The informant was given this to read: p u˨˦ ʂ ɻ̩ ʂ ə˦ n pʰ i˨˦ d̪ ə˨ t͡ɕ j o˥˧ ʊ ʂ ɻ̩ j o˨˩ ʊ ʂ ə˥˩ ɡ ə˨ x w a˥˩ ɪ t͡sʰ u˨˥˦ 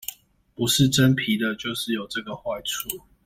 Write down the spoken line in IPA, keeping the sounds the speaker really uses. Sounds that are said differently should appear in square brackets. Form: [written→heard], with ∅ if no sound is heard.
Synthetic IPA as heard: p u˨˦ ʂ ɻ̩ [ʂ→ʈ͡ʂ] ə˦ n pʰ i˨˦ d̪ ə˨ t͡ɕ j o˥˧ ʊ ʂ ɻ̩ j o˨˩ ʊ [ʂ→ʈ͡ʂ] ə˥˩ ɡ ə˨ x w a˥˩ ɪ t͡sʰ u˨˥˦